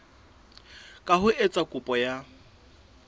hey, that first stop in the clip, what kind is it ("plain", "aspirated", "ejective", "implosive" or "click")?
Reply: ejective